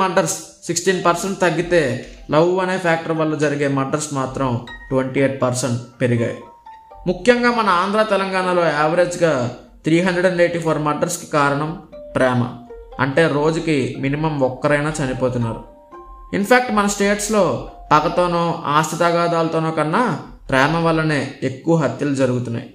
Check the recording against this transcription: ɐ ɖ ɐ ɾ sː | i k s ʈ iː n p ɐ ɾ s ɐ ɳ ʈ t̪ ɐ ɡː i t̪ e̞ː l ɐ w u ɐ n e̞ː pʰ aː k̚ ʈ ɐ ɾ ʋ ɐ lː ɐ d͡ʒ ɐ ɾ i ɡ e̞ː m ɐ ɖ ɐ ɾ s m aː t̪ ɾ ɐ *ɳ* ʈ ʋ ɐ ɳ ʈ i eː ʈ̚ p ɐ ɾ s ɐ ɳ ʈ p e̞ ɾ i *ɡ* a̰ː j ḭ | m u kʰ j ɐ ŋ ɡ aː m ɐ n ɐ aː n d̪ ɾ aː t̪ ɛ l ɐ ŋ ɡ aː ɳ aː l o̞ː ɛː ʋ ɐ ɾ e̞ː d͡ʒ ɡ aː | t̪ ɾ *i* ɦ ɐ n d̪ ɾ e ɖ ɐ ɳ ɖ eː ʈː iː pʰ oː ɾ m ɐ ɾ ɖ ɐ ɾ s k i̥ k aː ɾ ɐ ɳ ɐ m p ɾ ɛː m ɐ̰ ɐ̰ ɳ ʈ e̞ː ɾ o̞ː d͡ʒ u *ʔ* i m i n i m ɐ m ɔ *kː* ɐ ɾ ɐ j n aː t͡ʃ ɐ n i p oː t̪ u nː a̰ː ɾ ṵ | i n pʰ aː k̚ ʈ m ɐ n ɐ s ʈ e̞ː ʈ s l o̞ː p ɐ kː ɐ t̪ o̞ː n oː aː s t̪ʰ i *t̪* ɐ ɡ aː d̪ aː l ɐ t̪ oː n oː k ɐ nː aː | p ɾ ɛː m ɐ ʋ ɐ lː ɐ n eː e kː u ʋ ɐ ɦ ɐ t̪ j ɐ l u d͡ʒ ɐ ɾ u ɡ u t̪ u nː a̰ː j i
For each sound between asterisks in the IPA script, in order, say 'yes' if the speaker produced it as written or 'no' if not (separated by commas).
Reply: no, yes, no, no, yes, yes